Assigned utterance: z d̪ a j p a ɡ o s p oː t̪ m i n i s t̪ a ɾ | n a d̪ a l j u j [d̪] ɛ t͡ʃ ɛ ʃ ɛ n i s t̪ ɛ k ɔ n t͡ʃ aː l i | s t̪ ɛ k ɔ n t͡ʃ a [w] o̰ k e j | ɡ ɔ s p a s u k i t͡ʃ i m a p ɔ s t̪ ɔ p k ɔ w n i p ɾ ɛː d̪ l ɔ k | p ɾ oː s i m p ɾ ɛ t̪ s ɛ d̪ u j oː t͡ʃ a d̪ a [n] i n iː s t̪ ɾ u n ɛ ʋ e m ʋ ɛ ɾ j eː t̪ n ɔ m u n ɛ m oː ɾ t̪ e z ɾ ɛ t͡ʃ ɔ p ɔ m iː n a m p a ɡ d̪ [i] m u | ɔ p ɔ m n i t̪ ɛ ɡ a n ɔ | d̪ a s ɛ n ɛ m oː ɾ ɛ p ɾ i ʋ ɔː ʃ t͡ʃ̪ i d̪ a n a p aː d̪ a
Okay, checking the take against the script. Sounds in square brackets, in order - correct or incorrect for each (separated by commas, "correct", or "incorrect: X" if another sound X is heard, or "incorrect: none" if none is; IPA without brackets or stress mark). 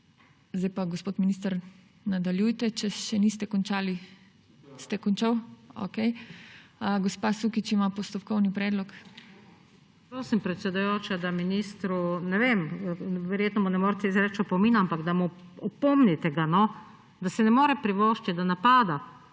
incorrect: t̪, correct, incorrect: m, incorrect: a